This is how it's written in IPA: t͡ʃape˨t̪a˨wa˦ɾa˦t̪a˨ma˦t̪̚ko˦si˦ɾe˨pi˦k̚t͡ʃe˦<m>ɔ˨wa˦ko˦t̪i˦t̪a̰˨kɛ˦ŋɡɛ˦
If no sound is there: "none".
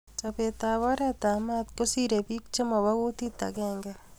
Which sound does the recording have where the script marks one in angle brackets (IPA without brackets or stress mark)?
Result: m